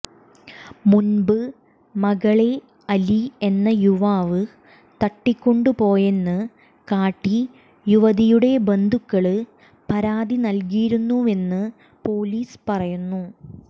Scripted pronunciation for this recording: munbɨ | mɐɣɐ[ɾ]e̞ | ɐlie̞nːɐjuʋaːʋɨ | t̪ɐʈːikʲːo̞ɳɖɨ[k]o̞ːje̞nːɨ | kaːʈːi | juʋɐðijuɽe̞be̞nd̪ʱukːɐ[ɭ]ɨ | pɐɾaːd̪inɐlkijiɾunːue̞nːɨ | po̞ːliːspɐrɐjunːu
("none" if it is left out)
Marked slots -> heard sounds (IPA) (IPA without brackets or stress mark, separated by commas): ɭ, p, ɭ